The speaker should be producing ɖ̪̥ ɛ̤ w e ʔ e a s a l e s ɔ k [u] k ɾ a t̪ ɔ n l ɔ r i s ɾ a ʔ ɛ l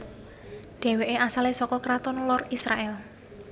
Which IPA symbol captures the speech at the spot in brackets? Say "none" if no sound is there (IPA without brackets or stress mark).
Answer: ɔ